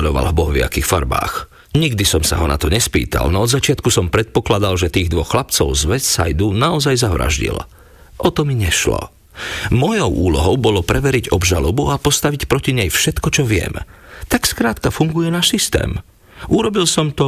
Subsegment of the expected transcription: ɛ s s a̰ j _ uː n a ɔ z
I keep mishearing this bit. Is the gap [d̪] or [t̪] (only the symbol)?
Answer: d̪